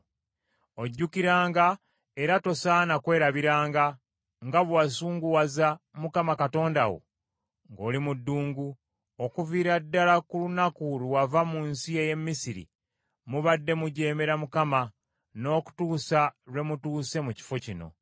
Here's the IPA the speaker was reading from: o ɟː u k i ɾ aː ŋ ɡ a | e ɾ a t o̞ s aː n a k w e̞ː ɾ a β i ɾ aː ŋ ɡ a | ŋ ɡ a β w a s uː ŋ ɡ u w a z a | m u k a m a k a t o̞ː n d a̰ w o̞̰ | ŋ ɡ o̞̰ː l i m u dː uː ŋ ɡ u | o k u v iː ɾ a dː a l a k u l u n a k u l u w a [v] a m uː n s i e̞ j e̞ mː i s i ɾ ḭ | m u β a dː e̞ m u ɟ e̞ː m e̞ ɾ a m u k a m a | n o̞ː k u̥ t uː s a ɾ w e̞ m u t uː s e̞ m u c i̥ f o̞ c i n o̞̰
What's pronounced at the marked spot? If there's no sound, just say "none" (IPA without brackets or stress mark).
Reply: v